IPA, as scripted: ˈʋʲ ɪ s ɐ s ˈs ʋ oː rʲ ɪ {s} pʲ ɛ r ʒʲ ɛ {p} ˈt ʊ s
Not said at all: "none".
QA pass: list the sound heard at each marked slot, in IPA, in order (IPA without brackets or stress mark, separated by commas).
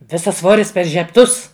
s, p